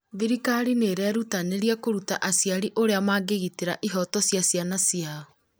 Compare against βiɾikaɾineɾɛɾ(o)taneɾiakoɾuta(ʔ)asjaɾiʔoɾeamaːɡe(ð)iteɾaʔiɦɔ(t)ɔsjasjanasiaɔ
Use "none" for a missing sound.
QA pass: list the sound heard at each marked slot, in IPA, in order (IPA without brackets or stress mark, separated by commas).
u, ʔ, ɣ, t